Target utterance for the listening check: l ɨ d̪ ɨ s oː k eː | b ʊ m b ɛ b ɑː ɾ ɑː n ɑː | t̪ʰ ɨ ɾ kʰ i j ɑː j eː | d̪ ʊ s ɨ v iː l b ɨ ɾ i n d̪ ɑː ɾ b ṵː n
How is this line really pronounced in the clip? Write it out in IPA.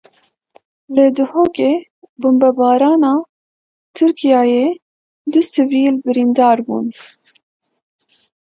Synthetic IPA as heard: l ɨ d̪ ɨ h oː k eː | b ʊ m b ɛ b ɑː ɾ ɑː n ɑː | t̪ʰ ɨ ɾ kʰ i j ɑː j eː | d̪ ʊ s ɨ v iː l b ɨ ɾ i n d̪ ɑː ɾ b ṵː n